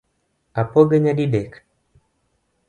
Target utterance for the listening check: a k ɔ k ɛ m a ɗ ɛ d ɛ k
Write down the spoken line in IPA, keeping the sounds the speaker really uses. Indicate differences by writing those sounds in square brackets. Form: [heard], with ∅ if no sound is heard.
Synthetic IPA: a [p] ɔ [ɡ] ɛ [ɲ] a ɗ [i] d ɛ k